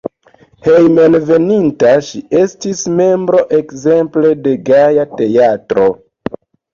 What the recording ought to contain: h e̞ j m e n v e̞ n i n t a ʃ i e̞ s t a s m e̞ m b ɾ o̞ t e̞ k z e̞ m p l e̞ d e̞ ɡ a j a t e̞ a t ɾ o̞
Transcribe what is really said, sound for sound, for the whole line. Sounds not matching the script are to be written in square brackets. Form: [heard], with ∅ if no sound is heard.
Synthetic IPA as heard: h e̞ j m e n v e̞ n i n t a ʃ i e̞ s t [i] s m e̞ m b ɾ o̞ [ʔ] e̞ k z e̞ m p l e̞ d e̞ ɡ a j a t e̞ a t ɾ o̞